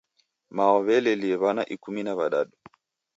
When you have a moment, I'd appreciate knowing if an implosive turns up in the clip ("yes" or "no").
yes